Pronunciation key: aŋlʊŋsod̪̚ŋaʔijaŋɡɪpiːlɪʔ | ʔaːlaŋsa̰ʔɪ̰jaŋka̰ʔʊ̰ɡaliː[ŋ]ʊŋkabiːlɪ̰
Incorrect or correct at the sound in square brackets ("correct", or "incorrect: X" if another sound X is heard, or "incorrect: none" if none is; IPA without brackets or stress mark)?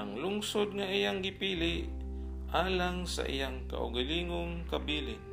correct